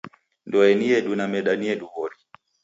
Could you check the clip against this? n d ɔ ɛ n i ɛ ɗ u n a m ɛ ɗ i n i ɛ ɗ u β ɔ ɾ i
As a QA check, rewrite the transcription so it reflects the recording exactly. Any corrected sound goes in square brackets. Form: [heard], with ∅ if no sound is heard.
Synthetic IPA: n d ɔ ɛ n i ɛ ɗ u n a m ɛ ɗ [a] n i ɛ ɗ u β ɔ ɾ i